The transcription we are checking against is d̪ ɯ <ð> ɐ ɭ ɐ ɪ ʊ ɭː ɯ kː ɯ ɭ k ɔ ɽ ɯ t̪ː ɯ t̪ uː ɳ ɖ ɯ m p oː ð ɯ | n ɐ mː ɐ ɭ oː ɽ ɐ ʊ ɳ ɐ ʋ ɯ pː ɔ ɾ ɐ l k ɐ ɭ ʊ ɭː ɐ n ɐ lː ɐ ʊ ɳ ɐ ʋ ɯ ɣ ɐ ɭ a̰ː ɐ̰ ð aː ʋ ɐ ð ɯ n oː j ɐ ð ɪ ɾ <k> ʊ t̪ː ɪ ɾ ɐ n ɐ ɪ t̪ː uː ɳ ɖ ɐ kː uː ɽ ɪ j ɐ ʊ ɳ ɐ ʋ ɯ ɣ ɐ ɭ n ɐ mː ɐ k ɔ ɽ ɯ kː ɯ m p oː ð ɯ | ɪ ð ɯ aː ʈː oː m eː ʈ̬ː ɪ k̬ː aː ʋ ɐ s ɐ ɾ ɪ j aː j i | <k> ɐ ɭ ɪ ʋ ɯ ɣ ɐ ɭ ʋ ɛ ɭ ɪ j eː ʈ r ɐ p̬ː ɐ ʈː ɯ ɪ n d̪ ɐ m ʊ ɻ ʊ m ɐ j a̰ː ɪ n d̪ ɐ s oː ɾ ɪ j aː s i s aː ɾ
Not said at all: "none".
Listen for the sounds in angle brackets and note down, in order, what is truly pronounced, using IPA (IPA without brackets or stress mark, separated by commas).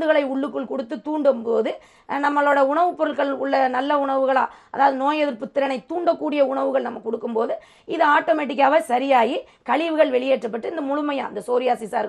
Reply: ɣ, p, k